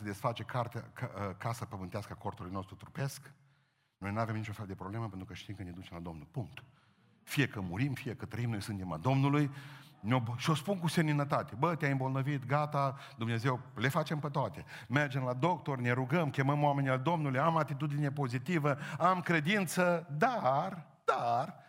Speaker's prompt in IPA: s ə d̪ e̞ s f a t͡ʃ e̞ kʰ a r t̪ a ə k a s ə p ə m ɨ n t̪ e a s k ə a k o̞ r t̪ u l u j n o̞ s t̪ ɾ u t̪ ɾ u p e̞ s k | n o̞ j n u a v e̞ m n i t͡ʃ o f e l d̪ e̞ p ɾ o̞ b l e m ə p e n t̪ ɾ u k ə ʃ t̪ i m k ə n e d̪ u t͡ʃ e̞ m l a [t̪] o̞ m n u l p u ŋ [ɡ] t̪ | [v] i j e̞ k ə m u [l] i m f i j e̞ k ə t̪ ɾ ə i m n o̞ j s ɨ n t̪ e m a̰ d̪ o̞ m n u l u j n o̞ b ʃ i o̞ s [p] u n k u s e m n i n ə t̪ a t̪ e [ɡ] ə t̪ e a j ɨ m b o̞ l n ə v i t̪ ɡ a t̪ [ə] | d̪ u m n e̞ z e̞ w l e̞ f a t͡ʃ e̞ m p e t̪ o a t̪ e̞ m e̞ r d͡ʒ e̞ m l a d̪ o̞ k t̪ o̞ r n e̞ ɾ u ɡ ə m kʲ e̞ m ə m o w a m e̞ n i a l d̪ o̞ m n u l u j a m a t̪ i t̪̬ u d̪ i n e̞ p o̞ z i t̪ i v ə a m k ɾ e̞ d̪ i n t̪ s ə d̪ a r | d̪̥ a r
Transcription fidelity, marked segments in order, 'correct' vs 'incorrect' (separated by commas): incorrect, incorrect, incorrect, incorrect, correct, incorrect, incorrect